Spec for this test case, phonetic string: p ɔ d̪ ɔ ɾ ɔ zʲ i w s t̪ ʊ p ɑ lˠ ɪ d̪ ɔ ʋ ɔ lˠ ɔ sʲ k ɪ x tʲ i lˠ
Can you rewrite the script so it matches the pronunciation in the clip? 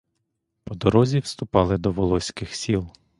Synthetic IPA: p ɔ d̪ ɔ ɾ ɔ zʲ i w s t̪ ʊ p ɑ lˠ ɪ d̪ ɔ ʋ ɔ lˠ ɔ sʲ k ɪ x sʲ i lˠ